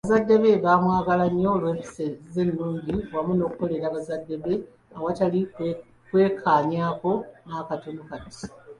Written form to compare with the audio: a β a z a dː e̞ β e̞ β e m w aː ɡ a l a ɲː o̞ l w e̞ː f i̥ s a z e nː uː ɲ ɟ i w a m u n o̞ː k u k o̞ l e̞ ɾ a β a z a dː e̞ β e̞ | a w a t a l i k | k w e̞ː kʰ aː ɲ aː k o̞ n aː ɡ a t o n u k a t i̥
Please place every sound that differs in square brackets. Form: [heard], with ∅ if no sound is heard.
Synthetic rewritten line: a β a z a dː e̞ β e̞ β [a] m w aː ɡ a l a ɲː o̞ l w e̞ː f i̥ s [e] z e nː uː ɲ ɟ i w a m u n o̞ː k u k o̞ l e̞ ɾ a β a z a dː e̞ β e̞ | a w a t a l i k | k w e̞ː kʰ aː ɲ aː k o̞ n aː [k] a t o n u k a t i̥